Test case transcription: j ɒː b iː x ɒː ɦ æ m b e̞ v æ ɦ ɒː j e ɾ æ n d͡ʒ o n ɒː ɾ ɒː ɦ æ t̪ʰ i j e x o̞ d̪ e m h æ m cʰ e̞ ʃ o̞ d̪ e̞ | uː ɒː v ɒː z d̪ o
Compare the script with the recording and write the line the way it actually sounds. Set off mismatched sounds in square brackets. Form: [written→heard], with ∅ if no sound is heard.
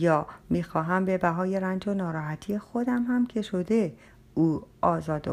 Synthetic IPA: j ɒː [b→m] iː x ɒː ɦ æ m b e̞ [v→b] æ ɦ ɒː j e ɾ æ n d͡ʒ o n ɒː ɾ ɒː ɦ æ t̪ʰ i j e x o̞ d̪ [e→æ] m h æ m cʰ e̞ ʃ o̞ d̪ e̞ | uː ɒː [v→z] ɒː [z→∅] d̪ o